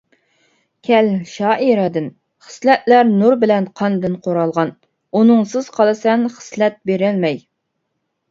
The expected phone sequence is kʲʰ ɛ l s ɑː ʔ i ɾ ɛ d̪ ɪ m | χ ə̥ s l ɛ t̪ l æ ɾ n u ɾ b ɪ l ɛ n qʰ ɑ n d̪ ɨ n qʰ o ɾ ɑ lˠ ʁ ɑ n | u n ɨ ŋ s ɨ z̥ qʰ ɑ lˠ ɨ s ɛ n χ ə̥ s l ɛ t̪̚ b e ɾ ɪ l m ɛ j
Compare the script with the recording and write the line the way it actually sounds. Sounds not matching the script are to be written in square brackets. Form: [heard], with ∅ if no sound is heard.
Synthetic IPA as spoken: kʲʰ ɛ l [ʃ] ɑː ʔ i ɾ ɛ d̪ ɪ [n] | χ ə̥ s l ɛ t̪ l æ ɾ n u ɾ b ɪ l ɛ n qʰ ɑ n d̪ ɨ n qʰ o ɾ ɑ lˠ ʁ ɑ n | u n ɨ ŋ s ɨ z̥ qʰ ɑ lˠ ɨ s ɛ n χ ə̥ s l ɛ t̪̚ b e ɾ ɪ l m ɛ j